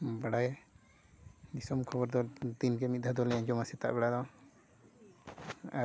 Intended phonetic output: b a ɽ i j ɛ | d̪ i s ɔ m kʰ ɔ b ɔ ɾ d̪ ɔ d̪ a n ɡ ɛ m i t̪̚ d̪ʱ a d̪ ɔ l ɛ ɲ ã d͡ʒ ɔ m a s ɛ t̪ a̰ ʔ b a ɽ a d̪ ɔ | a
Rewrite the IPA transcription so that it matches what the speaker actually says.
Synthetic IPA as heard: b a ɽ a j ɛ | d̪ i s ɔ m kʰ ɔ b ɔ ɾ d̪ ɔ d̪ i n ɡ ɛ m i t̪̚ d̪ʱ a d̪ ɔ l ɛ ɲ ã d͡ʒ ɔ m a s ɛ t̪ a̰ ʔ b ɛ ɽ a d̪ ɔ | a